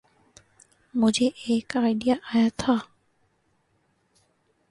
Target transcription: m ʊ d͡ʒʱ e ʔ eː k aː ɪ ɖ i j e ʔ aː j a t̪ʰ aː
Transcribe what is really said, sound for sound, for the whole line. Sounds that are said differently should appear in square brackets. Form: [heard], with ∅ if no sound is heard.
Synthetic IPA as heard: m ʊ d͡ʒʱ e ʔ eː k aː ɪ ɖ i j [a] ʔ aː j a t̪ʰ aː